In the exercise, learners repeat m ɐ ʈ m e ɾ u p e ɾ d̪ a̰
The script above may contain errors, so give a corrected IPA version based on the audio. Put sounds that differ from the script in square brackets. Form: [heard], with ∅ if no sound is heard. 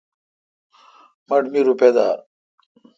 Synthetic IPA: m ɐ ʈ m [i] ɾ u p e [∅] d̪ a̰